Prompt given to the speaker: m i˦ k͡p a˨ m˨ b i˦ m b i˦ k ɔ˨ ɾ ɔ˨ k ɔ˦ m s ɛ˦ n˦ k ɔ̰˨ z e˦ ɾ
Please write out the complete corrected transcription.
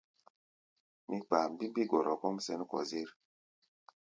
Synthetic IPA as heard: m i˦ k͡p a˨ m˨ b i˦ m b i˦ ɡ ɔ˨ ɾ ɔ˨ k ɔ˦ m s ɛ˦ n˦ k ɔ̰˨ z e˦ ɾ